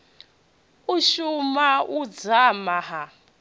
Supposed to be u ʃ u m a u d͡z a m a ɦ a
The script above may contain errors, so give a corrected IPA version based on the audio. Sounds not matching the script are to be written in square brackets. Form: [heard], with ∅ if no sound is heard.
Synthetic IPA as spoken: u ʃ u m a u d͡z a m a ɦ a